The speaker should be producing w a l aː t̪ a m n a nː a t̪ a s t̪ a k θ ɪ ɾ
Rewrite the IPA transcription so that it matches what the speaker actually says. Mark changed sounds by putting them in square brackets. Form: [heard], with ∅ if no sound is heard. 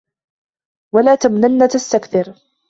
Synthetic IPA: w a l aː t̪ a m n a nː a t̪ a s t̪ a k θ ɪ ɾ